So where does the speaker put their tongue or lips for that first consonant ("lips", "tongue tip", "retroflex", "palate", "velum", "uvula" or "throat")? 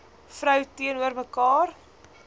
lips